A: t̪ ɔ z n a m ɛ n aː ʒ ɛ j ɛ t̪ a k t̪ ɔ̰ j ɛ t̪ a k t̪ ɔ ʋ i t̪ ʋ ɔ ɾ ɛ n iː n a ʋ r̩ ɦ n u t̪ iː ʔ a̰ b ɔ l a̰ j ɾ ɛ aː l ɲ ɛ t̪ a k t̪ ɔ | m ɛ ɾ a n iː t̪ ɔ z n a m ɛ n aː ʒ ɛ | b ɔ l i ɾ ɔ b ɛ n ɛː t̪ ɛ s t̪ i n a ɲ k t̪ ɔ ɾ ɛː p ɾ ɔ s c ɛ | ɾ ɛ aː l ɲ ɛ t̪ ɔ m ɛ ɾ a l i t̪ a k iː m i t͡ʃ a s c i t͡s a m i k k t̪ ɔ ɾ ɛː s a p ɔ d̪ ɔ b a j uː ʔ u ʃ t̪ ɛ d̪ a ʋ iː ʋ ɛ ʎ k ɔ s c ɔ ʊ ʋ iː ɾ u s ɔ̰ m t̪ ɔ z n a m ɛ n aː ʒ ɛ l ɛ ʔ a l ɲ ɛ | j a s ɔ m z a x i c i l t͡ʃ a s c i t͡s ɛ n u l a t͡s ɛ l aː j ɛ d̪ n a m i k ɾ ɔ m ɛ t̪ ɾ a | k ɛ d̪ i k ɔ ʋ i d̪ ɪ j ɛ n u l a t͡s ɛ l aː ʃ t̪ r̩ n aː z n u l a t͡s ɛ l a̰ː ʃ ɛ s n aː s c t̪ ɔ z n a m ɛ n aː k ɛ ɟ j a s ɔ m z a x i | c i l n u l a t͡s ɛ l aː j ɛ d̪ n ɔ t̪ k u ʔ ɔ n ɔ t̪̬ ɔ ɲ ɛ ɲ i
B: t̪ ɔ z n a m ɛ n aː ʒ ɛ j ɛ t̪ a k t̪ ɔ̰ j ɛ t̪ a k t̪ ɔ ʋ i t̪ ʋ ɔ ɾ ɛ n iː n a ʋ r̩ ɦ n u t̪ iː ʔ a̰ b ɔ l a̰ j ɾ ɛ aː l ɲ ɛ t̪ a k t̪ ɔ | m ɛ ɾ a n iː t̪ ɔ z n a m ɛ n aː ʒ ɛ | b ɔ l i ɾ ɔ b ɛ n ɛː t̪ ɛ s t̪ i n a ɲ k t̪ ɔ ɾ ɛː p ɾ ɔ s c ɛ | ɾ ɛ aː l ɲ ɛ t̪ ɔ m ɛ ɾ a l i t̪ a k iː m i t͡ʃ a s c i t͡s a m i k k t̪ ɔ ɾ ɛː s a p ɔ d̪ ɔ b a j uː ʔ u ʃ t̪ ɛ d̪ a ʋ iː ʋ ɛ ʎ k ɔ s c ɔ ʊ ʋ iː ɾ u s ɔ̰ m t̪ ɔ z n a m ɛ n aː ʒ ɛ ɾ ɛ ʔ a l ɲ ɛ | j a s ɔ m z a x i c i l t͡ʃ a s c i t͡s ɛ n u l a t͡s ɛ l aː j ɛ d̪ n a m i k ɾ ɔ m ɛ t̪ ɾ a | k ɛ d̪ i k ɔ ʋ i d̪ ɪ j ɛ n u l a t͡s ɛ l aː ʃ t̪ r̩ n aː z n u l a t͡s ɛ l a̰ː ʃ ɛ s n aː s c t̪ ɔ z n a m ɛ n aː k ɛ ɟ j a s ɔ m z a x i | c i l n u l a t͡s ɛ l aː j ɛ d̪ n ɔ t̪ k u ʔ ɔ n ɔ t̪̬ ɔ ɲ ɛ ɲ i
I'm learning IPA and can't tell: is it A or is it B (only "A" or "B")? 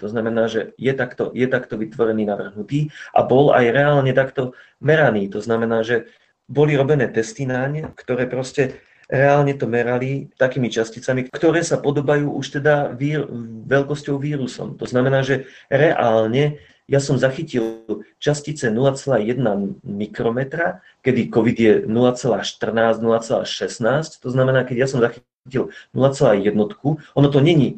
B